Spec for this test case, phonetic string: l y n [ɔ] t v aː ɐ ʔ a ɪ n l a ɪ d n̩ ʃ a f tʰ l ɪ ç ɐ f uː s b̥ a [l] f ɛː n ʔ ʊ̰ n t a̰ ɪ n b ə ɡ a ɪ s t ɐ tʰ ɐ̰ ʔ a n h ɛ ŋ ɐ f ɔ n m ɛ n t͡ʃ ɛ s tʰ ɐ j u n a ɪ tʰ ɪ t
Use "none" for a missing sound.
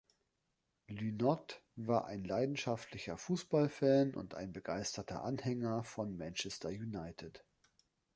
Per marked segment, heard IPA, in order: ɔ, l

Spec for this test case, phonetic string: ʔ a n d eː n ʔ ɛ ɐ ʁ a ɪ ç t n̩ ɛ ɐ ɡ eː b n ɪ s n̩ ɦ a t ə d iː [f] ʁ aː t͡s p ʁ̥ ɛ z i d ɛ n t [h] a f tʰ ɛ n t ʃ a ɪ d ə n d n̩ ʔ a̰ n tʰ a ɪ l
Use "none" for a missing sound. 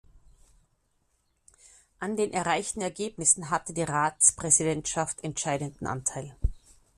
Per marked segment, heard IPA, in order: none, ʃ

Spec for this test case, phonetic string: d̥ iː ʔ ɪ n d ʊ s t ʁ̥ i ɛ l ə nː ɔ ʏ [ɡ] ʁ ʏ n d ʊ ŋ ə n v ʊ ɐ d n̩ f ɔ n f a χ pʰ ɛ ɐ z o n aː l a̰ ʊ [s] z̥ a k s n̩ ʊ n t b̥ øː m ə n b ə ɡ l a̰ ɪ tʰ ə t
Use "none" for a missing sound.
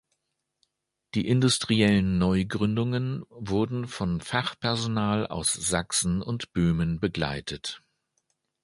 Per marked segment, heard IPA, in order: ɡ, s

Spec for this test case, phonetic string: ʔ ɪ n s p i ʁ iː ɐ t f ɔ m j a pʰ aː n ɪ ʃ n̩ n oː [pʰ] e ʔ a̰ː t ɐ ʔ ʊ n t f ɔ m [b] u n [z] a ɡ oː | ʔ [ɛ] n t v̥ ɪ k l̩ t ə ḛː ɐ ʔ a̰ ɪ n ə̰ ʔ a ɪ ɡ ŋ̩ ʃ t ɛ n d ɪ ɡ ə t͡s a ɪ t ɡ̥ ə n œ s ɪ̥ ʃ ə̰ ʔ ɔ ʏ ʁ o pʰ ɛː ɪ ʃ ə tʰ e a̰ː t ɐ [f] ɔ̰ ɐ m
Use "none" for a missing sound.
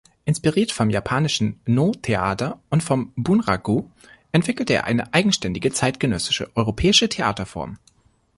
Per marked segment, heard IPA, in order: tʰ, b, ʁ, ɛ, f

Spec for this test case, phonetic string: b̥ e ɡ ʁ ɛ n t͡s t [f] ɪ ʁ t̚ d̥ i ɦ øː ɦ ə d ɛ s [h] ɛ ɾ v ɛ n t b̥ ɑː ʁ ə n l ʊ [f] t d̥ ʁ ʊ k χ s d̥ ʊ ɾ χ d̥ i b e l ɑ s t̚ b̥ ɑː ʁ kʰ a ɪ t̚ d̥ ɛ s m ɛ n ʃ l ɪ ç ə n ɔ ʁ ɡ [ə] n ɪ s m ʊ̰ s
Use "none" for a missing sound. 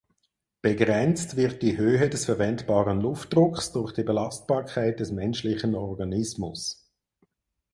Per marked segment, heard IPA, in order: v, f, f, ɑ

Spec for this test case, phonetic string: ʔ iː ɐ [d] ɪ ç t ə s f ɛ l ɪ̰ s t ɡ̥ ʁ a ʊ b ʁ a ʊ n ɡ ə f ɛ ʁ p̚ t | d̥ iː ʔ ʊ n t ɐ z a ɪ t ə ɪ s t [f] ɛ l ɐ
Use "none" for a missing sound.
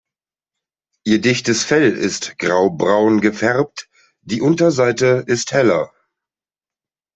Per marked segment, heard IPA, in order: d, h

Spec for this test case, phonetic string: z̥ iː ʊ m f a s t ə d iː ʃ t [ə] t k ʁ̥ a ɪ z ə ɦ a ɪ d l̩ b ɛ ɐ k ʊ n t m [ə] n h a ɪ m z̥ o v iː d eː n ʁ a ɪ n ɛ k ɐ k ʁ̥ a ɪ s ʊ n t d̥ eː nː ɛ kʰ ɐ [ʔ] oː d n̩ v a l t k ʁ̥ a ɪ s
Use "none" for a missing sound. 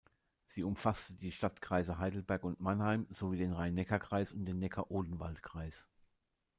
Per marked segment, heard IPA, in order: a, a, ʔ

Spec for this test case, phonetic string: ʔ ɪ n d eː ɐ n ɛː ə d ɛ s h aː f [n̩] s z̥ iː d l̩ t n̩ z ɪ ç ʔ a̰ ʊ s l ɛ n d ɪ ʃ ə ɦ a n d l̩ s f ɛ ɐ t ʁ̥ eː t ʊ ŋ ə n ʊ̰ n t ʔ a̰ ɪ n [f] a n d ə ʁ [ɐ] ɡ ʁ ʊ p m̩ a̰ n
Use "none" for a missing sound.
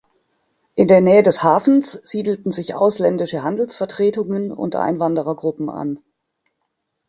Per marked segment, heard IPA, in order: n̩, v, ɐ

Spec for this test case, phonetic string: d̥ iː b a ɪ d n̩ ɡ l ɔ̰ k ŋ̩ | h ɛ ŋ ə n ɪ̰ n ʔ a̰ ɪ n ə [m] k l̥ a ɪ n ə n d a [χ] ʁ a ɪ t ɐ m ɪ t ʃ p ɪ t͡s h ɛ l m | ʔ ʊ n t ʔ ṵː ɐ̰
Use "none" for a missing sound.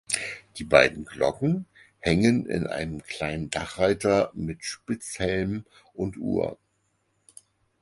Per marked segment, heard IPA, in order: m, χ

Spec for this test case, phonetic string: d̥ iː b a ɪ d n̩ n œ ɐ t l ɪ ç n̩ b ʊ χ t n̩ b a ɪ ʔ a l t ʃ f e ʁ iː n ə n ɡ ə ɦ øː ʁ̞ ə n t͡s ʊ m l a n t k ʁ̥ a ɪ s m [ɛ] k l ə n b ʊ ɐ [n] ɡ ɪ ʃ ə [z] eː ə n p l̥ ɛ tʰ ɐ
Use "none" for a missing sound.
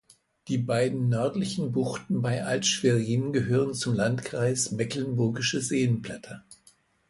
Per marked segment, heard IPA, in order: ɛ, none, z

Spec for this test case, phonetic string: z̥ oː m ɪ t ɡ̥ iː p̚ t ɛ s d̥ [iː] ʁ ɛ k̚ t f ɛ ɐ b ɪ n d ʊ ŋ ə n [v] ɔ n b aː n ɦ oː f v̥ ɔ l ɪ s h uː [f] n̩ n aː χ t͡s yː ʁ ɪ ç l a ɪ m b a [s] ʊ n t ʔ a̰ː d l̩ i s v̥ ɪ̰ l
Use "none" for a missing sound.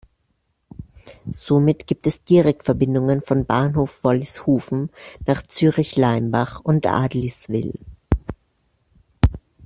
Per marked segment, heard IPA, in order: iː, f, f, χ

